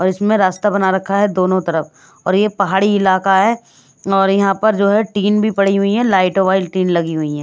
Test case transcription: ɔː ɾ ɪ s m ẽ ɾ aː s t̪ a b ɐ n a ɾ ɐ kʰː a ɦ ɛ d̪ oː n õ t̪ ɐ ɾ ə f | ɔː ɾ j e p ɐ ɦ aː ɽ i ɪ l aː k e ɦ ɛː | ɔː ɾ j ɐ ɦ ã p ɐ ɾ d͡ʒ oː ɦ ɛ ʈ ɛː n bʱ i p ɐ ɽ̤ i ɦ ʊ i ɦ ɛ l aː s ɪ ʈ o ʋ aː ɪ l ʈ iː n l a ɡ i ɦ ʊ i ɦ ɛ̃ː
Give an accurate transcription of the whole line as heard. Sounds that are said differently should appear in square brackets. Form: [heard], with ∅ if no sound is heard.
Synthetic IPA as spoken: ɔː ɾ ɪ s m ẽ ɾ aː s t̪ a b ɐ n a ɾ ɐ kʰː a ɦ ɛ d̪ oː n õ t̪ ɐ ɾ ə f | ɔː ɾ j e p ɐ ɦ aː ɽ i ɪ l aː k [a] ɦ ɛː | ɔː ɾ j ɐ ɦ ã p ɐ ɾ d͡ʒ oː ɦ ɛ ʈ [iː] n bʱ i p ɐ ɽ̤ i ɦ ʊ i ɦ ɛ l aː [∅] ɪ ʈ o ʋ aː ɪ l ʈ iː n l [ɐ] ɡ i ɦ ʊ i ɦ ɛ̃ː